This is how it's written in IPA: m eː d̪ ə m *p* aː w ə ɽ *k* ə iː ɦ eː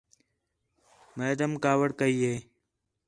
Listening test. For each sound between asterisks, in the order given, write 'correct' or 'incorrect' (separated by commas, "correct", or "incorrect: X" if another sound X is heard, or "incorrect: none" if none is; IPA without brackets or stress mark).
incorrect: k, correct